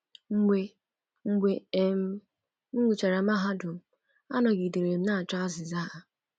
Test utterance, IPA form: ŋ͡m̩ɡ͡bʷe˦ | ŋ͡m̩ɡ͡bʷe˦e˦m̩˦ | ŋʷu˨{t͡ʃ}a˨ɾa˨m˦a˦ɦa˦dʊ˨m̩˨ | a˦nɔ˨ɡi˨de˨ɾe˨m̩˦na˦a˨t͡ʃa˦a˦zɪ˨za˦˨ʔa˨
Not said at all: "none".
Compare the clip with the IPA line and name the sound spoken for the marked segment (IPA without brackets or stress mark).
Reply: t͡ʃ